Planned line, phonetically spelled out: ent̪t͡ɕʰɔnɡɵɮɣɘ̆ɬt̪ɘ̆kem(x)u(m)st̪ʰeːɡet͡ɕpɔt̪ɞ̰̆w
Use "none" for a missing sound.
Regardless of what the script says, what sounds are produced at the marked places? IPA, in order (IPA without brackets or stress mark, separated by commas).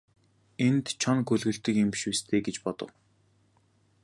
ʃ, none